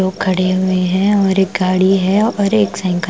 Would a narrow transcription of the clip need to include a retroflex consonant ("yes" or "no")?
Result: yes